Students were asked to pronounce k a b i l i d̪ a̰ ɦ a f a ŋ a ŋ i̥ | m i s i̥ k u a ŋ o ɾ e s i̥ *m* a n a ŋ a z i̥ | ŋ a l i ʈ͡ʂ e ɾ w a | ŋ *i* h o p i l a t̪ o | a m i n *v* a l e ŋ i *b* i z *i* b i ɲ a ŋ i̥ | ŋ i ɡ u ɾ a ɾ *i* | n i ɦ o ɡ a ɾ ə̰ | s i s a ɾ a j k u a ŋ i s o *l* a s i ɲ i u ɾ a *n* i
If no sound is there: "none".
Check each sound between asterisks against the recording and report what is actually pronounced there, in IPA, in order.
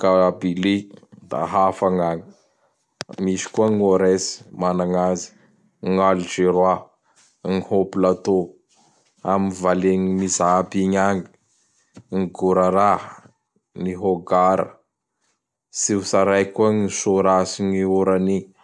m, i, v, m, a, a, ɾ, n

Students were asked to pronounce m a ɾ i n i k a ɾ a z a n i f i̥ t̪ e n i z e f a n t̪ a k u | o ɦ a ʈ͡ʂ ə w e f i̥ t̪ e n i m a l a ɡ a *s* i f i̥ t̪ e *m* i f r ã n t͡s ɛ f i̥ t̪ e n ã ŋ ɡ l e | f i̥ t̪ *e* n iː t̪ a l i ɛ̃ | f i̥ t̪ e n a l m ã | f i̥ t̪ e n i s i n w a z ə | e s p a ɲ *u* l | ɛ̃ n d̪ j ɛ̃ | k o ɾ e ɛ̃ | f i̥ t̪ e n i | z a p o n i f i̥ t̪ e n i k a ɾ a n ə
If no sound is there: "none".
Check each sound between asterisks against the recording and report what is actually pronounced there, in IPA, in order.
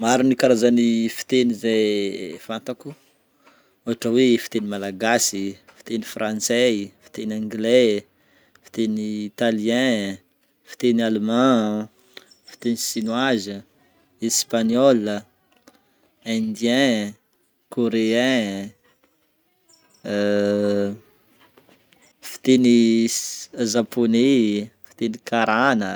s, n, e, ɔ

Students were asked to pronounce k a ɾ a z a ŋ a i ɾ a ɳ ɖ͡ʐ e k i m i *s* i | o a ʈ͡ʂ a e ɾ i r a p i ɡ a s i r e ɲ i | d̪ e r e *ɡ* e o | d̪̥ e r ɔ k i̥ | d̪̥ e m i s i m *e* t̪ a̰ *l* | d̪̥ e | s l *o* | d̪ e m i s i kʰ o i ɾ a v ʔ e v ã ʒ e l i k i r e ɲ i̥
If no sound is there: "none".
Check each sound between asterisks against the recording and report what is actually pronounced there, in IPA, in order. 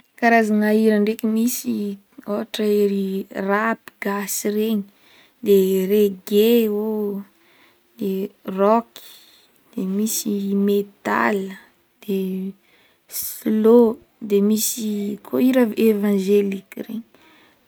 s, ɡ, e, l, o

